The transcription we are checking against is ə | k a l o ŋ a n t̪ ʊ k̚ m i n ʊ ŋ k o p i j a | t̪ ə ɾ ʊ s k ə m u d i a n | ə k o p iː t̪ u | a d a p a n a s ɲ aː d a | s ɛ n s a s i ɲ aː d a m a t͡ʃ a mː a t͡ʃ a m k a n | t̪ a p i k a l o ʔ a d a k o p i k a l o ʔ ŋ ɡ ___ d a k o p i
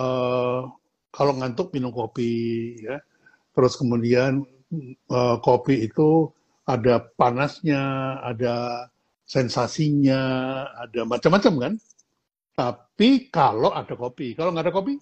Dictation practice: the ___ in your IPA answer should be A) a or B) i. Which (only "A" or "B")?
A